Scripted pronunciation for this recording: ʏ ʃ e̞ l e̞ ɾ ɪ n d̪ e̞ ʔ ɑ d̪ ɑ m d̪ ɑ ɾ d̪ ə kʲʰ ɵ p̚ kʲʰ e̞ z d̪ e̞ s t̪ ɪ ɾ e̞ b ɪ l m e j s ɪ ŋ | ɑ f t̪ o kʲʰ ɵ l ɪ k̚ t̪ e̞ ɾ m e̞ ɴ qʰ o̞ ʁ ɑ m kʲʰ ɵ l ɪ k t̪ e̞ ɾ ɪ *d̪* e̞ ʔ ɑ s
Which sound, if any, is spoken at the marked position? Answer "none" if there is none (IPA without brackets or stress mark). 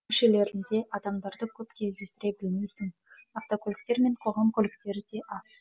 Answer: d̪